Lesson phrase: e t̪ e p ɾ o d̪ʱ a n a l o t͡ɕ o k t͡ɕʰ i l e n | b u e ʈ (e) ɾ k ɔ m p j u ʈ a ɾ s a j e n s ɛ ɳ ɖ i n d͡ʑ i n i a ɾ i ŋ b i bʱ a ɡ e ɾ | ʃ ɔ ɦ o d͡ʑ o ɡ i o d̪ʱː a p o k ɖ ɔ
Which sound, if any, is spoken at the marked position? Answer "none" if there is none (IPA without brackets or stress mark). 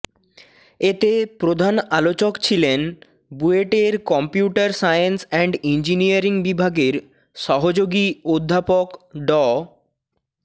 e